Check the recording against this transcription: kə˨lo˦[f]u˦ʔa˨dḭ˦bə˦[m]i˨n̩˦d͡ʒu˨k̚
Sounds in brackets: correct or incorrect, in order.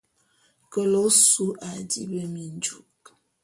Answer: incorrect, correct

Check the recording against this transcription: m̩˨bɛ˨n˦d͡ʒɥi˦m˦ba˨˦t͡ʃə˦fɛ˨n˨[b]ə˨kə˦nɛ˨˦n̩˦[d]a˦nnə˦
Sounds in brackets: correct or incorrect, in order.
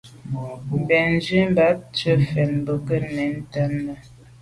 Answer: correct, incorrect

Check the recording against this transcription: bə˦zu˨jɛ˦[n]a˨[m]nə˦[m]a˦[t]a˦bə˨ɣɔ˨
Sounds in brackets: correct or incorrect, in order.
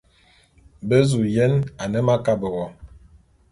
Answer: correct, incorrect, correct, incorrect

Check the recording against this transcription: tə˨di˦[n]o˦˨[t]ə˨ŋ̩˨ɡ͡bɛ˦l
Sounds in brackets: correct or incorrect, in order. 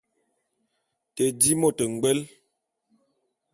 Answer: incorrect, correct

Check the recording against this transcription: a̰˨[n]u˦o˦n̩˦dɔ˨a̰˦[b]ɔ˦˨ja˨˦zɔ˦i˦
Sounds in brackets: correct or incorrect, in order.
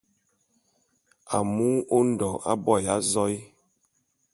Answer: incorrect, correct

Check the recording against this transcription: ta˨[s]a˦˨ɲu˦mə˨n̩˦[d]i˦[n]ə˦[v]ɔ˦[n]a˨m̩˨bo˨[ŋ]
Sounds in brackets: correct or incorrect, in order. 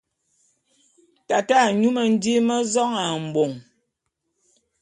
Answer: incorrect, correct, incorrect, incorrect, incorrect, correct

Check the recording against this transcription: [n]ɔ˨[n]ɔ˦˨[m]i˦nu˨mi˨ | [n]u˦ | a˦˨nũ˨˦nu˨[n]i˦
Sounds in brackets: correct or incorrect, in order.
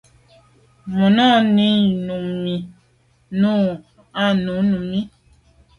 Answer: incorrect, correct, incorrect, correct, incorrect

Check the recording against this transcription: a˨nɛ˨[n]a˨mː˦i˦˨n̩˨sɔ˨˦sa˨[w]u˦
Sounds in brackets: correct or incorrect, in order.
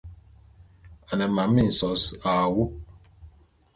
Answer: incorrect, correct

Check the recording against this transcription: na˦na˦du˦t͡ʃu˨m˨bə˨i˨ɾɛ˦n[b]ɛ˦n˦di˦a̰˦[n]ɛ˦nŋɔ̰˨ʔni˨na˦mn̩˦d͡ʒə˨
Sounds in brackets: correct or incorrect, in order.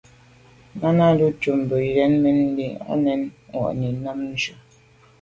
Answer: incorrect, correct

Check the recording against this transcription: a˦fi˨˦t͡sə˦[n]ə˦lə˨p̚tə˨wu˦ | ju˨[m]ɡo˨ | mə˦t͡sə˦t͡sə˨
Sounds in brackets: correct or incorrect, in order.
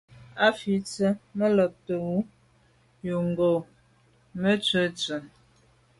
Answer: incorrect, incorrect

